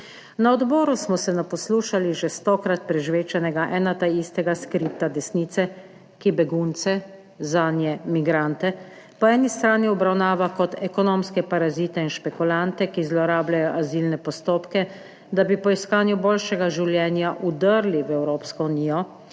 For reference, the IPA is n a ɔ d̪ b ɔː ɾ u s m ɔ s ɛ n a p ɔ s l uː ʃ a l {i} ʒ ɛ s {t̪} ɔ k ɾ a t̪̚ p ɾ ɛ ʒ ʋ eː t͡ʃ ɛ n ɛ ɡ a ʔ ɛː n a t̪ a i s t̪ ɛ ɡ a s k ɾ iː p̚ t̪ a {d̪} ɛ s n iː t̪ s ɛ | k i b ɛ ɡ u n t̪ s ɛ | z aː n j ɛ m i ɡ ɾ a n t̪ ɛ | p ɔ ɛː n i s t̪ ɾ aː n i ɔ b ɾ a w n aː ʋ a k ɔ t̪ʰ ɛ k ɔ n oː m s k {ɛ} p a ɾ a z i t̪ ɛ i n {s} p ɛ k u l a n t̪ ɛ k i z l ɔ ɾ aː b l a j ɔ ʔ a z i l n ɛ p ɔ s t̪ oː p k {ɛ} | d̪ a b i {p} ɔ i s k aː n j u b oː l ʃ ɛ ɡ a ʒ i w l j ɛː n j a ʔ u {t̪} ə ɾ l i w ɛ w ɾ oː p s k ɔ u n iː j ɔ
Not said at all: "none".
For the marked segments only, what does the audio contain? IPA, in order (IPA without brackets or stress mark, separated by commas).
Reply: i, t̪, d̪, ɛ, ʃ, ɛ, p, d̪